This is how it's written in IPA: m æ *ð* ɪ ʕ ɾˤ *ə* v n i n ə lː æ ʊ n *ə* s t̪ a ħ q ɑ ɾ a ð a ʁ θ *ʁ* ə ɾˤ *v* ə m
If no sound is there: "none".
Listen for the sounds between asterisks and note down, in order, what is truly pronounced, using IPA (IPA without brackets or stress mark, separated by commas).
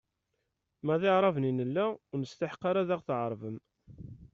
ð, ɑ, ə, ʕ, v